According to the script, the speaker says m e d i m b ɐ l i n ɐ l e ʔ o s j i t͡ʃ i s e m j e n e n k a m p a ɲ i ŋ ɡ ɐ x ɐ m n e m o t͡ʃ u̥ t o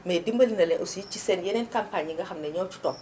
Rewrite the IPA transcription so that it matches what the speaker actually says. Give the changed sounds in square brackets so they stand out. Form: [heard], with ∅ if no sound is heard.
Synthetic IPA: m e d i m b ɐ l i n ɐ l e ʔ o s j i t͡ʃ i s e [n] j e n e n k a m p a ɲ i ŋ ɡ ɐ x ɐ m n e [ɲ] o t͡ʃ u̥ t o